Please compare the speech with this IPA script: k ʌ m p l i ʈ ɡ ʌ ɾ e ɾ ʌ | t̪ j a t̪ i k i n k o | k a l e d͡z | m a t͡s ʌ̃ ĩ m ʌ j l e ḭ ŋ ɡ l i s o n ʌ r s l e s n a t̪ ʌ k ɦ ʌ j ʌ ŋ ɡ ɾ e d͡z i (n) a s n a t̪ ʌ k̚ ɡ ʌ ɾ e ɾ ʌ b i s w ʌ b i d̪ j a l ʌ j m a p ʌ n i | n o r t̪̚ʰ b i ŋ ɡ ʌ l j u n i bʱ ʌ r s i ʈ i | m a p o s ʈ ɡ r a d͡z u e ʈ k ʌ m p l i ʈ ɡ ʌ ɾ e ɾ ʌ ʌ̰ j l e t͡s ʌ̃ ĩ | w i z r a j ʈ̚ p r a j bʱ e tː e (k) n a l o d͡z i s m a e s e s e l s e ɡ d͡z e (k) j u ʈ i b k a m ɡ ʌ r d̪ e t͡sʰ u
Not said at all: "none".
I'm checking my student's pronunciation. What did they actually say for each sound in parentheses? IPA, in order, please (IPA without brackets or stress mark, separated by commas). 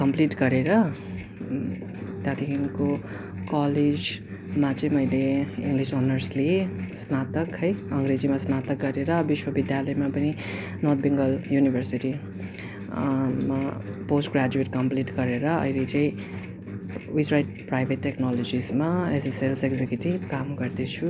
m, k, k